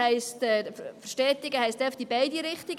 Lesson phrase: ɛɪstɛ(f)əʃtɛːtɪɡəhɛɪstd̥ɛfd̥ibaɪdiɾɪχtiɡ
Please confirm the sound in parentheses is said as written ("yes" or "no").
yes